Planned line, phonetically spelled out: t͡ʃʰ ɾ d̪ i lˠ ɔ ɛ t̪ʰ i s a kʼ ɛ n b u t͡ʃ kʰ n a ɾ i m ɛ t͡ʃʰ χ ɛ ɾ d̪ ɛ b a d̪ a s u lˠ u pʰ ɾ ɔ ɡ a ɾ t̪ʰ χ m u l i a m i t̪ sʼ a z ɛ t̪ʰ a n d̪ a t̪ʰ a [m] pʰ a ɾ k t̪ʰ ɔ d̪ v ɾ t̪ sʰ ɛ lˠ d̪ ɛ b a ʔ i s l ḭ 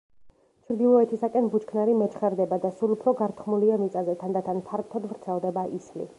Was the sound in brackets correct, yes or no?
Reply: no